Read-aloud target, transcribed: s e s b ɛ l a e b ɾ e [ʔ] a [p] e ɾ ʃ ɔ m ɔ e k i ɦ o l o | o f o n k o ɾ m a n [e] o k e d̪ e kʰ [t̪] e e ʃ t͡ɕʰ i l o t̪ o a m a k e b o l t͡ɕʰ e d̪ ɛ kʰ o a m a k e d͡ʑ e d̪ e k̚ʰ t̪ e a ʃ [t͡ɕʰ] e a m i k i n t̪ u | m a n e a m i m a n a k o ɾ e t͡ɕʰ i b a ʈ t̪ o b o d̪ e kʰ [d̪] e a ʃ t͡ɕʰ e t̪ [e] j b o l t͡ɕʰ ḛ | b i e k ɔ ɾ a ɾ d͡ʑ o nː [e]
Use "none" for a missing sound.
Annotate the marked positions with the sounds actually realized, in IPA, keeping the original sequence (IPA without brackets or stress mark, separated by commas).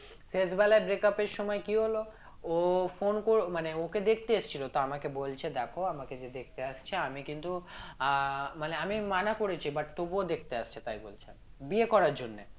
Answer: k, p, e, t̪, t͡ɕʰ, t̪, a, e